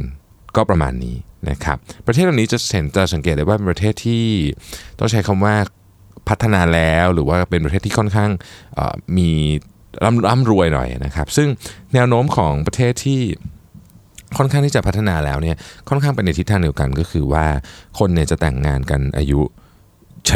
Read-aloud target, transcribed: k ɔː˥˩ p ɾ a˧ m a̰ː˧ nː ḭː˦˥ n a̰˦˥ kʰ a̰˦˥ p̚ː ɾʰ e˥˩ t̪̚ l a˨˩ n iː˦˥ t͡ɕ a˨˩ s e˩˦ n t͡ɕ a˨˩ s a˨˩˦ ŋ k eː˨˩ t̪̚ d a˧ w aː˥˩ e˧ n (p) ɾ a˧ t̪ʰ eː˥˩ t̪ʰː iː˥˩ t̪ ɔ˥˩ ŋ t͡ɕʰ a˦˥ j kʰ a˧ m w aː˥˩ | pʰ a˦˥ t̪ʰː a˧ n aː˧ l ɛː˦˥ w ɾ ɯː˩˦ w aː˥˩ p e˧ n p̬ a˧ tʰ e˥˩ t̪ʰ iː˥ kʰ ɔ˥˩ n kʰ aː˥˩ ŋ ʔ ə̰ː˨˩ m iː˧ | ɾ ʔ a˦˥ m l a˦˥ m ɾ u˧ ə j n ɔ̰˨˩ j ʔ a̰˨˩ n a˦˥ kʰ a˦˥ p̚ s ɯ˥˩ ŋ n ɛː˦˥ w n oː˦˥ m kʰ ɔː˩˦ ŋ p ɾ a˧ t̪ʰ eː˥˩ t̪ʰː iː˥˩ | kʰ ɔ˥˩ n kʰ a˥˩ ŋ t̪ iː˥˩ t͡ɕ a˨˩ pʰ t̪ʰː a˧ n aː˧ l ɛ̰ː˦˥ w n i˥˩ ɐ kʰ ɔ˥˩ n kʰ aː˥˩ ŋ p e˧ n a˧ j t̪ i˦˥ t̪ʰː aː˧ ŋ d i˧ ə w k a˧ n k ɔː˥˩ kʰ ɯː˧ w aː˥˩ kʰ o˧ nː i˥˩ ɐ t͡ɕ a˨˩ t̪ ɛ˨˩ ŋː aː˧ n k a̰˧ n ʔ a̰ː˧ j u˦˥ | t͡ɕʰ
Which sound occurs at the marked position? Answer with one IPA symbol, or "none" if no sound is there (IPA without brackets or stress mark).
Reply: p